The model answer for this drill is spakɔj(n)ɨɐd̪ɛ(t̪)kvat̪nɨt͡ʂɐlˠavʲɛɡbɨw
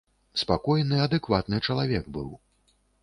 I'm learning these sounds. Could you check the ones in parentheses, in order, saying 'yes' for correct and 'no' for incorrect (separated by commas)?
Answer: yes, no